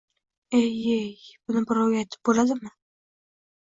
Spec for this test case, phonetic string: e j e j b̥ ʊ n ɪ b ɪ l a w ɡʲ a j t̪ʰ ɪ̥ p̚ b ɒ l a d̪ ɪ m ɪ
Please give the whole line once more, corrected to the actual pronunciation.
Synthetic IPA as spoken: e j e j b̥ ʊ n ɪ b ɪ ɾ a w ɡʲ a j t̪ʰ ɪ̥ p̚ b o l a d̪ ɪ m ɪ